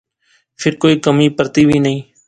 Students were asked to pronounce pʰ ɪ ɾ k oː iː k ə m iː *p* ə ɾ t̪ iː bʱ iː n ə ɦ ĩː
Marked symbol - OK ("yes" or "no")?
yes